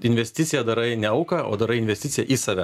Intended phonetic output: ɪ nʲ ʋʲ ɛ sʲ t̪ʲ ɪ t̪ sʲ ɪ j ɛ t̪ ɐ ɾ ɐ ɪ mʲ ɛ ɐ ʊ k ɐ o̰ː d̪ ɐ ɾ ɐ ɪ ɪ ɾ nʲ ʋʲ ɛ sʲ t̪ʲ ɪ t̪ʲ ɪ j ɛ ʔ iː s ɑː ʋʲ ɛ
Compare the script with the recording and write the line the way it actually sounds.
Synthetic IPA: ɪ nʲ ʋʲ ɛ sʲ t̪ʲ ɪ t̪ sʲ ɪ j ɛ d̪ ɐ ɾ ɐ ɪ nʲ ɛ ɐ ʊ k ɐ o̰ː d̪ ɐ ɾ ɐ ɪ ɪ nʲ ʋʲ ɛ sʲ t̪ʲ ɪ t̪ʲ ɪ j ɛ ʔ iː s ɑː ʋʲ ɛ